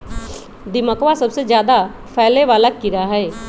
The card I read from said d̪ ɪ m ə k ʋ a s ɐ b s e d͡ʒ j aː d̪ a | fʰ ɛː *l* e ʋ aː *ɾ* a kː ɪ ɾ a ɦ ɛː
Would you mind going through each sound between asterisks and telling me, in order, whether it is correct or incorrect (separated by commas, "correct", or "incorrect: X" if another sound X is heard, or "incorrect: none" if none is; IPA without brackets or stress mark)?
correct, incorrect: l